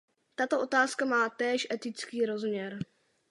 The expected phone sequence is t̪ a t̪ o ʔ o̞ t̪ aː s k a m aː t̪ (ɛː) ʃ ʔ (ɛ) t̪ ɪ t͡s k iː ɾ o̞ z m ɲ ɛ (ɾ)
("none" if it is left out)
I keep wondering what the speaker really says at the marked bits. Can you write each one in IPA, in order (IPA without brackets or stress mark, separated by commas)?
ɛː, ɛ, ɾ